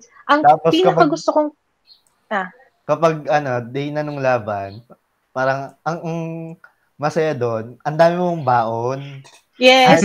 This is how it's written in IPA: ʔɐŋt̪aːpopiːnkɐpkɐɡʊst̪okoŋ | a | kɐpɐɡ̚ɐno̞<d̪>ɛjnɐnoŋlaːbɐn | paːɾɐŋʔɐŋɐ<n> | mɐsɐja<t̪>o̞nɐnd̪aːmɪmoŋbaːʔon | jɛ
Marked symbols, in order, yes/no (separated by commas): yes, no, no